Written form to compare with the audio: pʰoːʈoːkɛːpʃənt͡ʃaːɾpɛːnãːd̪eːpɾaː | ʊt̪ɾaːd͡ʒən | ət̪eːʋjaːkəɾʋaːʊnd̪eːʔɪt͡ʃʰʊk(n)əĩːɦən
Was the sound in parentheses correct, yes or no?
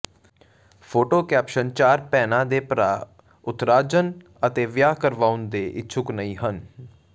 yes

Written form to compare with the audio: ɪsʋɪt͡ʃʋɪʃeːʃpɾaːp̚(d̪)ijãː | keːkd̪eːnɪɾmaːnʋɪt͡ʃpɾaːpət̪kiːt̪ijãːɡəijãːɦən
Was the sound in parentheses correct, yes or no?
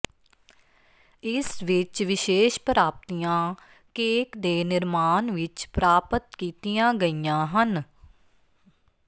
no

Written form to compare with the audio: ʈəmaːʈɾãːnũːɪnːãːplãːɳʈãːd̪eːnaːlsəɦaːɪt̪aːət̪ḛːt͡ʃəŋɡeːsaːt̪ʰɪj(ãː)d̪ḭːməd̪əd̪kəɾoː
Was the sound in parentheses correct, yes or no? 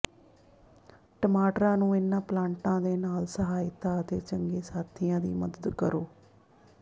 yes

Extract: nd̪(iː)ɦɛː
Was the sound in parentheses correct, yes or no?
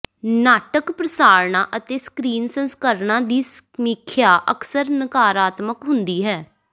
yes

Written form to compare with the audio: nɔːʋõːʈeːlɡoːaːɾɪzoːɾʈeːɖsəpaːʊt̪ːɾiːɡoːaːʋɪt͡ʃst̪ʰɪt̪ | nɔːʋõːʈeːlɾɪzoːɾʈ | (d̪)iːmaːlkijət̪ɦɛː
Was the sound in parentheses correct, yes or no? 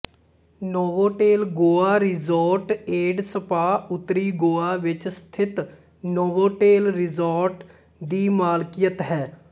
yes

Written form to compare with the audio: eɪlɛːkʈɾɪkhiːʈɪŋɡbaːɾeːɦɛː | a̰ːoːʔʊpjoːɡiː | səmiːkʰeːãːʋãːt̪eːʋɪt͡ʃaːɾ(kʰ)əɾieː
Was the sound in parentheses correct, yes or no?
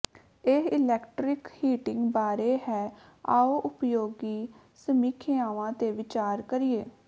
no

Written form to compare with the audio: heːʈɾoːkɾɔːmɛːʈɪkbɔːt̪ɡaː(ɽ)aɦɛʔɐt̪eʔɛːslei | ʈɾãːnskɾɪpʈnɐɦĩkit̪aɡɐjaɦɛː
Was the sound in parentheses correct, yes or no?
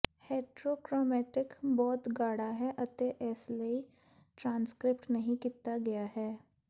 yes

